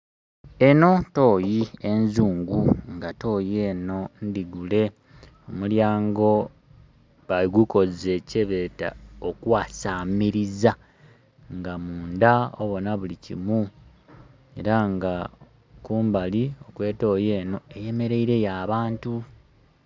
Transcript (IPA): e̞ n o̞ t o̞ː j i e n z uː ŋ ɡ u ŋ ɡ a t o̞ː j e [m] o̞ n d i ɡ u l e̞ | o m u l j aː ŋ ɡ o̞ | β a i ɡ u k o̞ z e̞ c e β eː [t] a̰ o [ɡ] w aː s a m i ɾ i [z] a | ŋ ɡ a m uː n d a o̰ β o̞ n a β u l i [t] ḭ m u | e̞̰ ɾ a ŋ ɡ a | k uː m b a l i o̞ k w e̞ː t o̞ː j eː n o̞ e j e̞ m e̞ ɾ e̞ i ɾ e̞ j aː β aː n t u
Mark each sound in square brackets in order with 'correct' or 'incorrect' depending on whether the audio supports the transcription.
incorrect, correct, incorrect, correct, incorrect

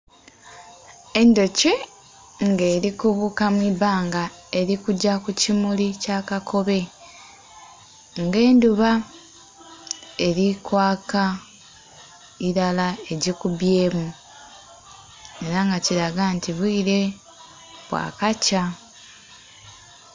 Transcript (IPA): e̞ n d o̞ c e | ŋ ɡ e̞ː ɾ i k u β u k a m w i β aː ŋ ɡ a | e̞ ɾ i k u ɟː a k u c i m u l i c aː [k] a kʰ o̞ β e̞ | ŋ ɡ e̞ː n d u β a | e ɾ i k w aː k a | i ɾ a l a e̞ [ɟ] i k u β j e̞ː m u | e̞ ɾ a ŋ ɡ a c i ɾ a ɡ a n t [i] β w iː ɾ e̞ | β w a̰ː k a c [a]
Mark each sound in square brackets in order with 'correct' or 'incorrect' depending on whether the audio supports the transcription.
correct, correct, correct, correct

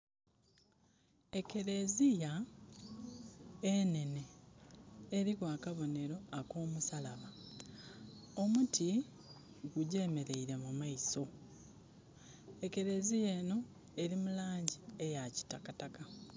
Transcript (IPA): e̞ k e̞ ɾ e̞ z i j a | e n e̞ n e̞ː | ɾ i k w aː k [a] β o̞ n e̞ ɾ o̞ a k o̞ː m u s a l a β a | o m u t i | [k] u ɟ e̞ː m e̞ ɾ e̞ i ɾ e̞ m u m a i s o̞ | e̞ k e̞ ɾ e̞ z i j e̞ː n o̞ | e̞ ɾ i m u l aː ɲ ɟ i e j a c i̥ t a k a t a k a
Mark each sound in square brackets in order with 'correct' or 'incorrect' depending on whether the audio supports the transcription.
correct, incorrect

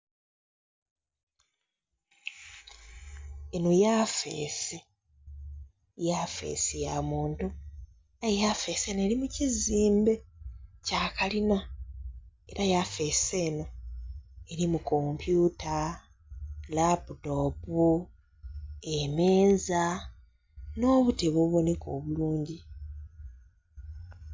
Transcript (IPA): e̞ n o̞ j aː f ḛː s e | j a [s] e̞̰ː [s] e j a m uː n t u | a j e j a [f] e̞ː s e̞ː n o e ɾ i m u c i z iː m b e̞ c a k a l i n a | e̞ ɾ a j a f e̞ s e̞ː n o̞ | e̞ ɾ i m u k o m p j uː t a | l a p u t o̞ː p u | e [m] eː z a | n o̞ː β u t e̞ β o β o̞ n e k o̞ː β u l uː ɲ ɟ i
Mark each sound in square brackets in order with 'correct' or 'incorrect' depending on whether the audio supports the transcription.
incorrect, correct, correct, correct

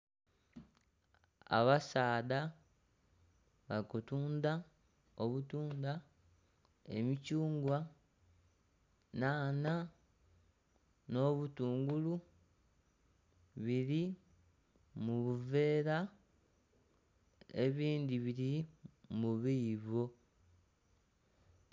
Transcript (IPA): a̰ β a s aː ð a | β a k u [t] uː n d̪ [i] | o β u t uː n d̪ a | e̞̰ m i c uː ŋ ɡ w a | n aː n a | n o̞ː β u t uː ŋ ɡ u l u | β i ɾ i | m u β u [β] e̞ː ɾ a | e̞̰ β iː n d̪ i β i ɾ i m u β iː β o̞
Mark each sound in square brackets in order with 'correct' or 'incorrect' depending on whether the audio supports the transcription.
correct, incorrect, incorrect

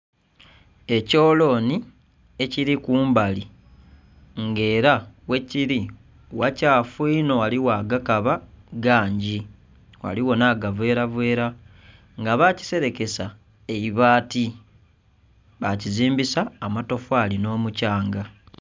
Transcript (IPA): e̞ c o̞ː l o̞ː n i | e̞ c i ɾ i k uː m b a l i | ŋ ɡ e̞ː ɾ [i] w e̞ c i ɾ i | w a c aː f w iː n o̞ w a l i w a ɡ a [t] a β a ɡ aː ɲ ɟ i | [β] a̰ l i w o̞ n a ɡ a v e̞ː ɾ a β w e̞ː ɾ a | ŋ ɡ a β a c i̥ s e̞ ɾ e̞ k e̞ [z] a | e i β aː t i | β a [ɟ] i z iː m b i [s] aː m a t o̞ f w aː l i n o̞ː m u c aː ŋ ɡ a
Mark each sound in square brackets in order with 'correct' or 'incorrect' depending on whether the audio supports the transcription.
incorrect, incorrect, incorrect, incorrect, incorrect, correct

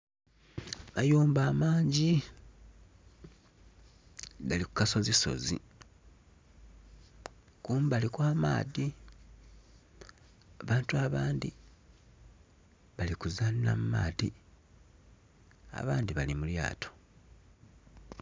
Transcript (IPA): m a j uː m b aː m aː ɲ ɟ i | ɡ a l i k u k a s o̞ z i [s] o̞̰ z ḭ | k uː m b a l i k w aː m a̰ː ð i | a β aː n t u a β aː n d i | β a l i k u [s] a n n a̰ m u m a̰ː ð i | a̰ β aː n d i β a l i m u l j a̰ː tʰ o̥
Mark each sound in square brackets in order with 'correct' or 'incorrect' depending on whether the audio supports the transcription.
correct, incorrect

